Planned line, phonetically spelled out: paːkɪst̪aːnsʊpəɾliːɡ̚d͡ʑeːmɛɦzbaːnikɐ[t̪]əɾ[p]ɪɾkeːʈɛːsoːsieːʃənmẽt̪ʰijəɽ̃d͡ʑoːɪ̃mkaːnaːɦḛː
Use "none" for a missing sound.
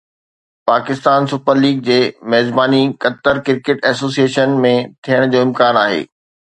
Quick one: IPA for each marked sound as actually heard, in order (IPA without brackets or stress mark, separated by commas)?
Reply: t̪, k